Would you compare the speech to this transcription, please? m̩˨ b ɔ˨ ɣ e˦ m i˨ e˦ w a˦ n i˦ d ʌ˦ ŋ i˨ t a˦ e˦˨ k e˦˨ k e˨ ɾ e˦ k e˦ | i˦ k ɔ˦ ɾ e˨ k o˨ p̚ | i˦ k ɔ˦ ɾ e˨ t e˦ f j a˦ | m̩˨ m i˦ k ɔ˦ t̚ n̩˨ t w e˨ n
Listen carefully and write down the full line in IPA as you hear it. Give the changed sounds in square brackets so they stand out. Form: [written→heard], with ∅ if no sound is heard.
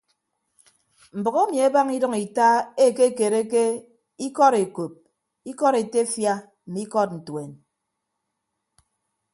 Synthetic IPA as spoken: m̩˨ b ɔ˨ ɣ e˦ m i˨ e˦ [w→b] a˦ [n→ŋ] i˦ d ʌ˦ ŋ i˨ t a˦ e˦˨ k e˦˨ k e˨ ɾ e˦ k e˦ | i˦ k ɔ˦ ɾ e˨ k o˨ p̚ | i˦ k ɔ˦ ɾ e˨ t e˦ f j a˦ | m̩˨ m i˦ k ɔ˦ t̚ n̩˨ t w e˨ n